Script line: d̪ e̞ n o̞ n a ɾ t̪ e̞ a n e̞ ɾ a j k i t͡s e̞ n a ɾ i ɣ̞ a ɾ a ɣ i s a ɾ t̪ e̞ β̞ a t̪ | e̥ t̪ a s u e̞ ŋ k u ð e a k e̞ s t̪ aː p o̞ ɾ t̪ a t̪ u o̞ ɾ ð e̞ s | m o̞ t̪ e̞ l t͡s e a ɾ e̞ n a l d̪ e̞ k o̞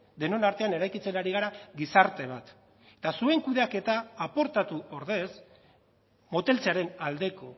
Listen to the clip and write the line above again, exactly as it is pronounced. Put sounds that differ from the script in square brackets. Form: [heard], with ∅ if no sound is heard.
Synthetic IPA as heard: d̪ e̞ n o̞ n a ɾ t̪ e̞ a n e̞ ɾ a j k i t͡s e̞ n a ɾ i ɣ̞ a ɾ a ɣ i s a ɾ t̪ e̞ β̞ a t̪ | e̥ t̪ a s u e̞ ŋ k u ð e a k e̞ [∅] t̪ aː p o̞ ɾ t̪ a t̪ u o̞ ɾ ð e̞ s | m o̞ t̪ e̞ l t͡s e a ɾ e̞ n a l d̪ e̞ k o̞